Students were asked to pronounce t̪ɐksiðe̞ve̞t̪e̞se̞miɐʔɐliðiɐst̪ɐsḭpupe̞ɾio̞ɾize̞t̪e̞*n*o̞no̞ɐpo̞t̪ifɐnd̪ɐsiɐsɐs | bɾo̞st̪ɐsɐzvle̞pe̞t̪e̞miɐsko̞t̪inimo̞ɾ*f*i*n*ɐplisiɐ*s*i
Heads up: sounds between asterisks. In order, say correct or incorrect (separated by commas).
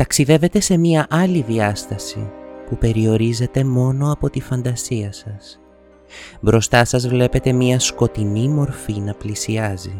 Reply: incorrect, correct, correct, incorrect